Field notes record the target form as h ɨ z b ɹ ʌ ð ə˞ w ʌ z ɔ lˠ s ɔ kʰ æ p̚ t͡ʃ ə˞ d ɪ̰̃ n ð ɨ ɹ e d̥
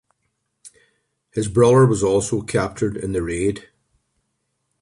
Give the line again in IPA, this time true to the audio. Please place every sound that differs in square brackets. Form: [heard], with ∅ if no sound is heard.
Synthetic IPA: h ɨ z b ɹ ʌ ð ə˞ w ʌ z ɔ lˠ s [o] kʰ æ p̚ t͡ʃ ə˞ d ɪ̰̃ n ð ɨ ɹ e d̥